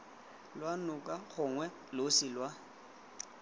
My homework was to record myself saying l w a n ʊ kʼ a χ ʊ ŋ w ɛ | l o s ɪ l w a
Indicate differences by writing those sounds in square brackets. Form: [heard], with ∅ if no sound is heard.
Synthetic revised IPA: l w a n ʊ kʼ a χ ʊ ŋ w ɛ | l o s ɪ l w a